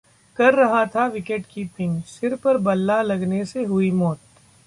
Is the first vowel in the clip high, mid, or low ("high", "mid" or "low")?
low